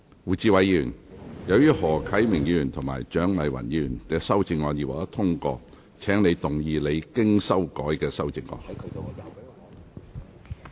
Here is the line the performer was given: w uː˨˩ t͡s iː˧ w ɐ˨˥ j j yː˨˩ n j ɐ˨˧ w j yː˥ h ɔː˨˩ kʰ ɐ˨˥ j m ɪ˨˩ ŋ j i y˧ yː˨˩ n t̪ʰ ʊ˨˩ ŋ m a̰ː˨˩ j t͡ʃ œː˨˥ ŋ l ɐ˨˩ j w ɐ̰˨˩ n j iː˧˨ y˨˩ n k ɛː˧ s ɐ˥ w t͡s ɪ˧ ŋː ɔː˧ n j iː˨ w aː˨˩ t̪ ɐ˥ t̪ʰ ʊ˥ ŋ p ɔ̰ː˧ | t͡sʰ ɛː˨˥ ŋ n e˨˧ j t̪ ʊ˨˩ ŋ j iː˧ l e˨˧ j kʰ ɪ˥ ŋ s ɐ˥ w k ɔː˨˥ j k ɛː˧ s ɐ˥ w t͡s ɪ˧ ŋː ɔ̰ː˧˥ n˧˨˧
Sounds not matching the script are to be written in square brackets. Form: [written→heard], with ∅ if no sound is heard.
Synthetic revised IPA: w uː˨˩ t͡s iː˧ w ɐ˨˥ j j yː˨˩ n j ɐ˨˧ w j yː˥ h ɔː˨˩ kʰ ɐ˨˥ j m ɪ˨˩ ŋ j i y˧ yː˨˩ n t̪ʰ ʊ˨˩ ŋ m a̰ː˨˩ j t͡ʃ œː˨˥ ŋ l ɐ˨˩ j w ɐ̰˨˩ n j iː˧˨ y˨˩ n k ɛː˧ s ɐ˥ w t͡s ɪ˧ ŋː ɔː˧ n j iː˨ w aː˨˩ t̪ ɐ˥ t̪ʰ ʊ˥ ŋ [p→k] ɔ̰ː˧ | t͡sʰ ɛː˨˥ ŋ n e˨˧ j t̪ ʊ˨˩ ŋ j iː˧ l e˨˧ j [kʰ→k] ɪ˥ ŋ s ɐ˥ w k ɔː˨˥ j k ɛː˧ s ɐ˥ w t͡s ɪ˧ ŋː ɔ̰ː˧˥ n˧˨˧